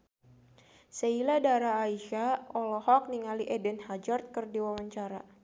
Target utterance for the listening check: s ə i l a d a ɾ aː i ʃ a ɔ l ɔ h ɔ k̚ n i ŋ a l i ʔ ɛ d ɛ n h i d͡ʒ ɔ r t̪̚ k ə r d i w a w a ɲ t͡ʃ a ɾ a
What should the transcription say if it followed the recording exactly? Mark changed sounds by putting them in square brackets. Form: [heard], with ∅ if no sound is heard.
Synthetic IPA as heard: s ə i l a d a ɾ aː i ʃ a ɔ l ɔ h ɔ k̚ n i ŋ a l i ʔ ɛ d ɛ n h [a] d͡ʒ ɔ r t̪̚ k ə r d i w a w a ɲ t͡ʃ a ɾ a